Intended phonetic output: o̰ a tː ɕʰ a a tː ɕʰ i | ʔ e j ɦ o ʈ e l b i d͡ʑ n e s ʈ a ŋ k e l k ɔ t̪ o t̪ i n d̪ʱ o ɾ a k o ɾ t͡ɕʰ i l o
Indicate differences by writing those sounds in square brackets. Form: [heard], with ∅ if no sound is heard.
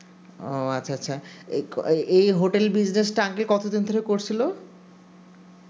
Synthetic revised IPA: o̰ a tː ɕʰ a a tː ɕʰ [a] | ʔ e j ɦ o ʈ e l b i d͡ʑ n e s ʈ a ŋ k e l k ɔ t̪ o [d̪] i n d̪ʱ o ɾ [e] k o ɾ t͡ɕʰ i l o

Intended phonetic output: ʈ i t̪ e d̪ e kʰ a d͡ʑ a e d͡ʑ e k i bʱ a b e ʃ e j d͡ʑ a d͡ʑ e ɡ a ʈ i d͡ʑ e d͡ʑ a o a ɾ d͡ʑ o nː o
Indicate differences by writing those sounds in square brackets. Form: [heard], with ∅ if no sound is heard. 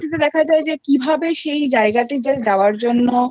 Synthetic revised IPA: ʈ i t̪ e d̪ [ɛ] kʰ a d͡ʑ a e d͡ʑ e k i bʱ a b e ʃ e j d͡ʑ a [∅] e ɡ a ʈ i d͡ʑ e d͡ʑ a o a ɾ d͡ʑ o nː o

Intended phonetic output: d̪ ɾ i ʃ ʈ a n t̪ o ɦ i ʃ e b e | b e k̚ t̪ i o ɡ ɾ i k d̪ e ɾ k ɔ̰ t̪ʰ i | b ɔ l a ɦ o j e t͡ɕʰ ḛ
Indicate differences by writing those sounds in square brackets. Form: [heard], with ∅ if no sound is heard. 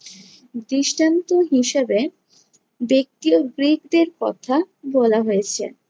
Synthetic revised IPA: d̪ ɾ i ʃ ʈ a n t̪ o ɦ i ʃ e b e | b e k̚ t̪ i o ɡ ɾ i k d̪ e ɾ k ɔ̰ t̪ʰ [a] | b ɔ l a ɦ o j e t͡ɕʰ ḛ

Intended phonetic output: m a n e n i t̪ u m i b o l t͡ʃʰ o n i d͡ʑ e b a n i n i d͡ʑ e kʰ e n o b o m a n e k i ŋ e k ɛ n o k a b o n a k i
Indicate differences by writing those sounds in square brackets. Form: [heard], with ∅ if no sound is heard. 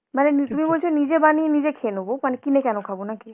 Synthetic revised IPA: m a n e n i t̪ u m i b o l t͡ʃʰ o n i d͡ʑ e b a n i n i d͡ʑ e kʰ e n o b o m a n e k i [n] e k ɛ n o [kʰ] a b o n a k i

